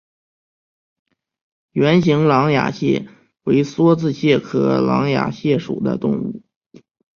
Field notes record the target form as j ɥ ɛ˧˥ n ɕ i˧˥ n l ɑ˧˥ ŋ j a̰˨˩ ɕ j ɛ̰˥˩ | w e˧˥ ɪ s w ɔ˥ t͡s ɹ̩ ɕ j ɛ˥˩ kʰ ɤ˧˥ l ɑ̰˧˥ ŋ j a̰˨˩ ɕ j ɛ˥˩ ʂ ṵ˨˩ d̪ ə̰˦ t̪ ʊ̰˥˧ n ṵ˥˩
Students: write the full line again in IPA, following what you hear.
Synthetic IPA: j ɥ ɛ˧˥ n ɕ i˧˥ ŋ l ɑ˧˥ ŋ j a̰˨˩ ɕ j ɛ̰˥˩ | w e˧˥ ɪ s w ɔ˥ t͡s ɹ̩ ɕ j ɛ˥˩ kʰ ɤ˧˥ l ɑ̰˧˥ ŋ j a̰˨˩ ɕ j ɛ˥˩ ʂ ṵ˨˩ d̪ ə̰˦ t̪ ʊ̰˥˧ ŋ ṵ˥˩